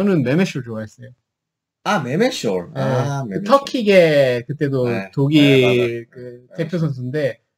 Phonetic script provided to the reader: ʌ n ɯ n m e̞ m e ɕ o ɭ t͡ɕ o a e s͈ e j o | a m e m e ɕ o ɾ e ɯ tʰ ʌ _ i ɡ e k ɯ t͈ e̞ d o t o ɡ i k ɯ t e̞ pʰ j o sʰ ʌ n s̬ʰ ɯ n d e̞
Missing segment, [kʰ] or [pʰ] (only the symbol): kʰ